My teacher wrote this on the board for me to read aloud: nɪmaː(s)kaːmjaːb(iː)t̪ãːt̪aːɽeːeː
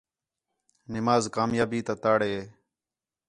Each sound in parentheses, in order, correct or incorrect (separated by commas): incorrect, correct